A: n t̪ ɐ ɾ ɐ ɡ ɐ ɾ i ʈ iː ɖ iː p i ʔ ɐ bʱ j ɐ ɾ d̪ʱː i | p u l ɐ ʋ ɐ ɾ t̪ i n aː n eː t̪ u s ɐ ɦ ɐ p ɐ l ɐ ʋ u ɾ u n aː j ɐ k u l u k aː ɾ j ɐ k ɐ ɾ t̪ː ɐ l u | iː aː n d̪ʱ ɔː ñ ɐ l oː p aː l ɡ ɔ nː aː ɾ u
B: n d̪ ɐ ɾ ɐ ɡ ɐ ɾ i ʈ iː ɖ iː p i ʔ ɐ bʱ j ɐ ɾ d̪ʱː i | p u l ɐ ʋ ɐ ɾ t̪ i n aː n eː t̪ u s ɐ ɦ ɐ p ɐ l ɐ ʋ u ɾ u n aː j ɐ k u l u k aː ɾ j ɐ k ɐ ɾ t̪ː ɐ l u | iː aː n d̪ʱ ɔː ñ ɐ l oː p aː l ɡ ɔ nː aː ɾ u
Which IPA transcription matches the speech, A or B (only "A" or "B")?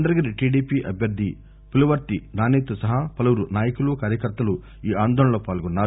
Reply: B